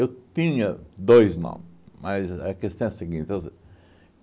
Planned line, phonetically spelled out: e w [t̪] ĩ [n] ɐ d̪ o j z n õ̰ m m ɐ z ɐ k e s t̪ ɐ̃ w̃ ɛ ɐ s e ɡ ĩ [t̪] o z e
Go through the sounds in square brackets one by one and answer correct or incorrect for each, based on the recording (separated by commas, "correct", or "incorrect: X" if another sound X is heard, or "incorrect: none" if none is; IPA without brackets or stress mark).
correct, incorrect: ɲ, correct